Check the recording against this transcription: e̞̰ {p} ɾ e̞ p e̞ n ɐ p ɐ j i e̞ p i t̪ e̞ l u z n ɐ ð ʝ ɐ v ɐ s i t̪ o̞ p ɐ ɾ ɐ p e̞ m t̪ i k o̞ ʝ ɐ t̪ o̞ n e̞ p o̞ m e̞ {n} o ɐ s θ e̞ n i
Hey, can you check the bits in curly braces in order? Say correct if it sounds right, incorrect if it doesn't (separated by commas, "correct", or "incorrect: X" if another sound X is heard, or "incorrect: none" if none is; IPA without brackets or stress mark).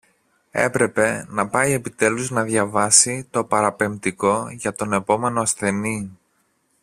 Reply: correct, correct